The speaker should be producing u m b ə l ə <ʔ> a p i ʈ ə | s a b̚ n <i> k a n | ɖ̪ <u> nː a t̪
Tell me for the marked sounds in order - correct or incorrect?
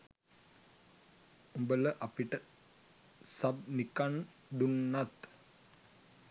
correct, correct, correct

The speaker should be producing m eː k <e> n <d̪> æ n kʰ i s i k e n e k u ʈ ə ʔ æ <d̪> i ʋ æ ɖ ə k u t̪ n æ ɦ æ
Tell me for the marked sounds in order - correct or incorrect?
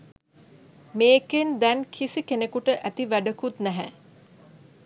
correct, correct, incorrect: t̪

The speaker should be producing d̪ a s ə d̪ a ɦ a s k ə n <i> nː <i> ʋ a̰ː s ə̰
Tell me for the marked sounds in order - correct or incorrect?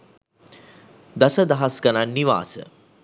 incorrect: a, correct

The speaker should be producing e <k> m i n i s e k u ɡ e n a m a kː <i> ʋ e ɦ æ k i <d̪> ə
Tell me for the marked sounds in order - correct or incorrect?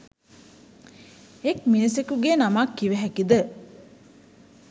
correct, correct, correct

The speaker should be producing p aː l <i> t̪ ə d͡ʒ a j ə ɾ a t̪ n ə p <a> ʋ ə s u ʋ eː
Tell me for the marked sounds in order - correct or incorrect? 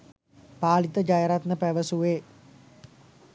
correct, incorrect: æ

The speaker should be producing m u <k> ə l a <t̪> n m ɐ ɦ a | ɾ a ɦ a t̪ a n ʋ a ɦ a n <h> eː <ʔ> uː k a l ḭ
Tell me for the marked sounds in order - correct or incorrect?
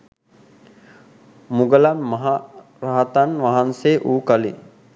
incorrect: ɡ, incorrect: none, incorrect: s, correct

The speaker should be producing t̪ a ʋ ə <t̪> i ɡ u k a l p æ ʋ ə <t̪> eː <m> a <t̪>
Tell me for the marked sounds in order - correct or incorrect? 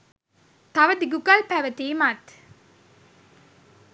incorrect: d̪, correct, correct, correct

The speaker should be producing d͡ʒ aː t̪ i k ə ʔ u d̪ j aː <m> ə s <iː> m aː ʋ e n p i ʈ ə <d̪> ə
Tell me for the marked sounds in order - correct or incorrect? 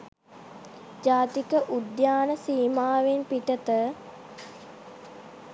incorrect: n, correct, incorrect: t̪

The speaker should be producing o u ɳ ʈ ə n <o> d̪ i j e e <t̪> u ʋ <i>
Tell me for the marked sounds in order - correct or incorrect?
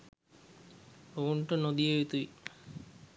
correct, correct, correct

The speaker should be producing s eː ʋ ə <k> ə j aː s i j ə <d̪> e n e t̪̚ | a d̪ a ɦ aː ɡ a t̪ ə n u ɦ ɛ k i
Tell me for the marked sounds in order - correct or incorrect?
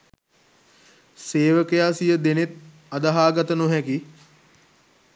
correct, correct

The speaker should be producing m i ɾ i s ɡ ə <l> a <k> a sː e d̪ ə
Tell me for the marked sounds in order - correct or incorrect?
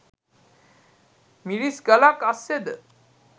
correct, correct

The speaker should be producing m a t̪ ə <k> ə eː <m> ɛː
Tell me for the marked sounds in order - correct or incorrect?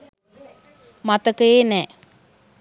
correct, incorrect: n

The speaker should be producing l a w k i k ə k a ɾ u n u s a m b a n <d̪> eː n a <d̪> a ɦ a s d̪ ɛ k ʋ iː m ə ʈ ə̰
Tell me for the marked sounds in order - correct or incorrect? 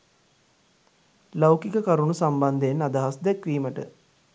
correct, correct

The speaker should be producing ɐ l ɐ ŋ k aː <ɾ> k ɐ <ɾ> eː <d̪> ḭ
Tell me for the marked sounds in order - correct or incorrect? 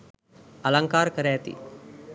correct, correct, incorrect: t̪

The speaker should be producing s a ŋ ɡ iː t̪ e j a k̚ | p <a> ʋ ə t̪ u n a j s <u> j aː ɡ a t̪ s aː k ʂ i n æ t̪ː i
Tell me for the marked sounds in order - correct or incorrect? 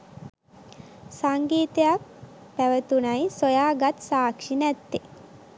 incorrect: æ, incorrect: o

